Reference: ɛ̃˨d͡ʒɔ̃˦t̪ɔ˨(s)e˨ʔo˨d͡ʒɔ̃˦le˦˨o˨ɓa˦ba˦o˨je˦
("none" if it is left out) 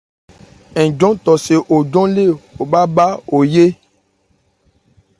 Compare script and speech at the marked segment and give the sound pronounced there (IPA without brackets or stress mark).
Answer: s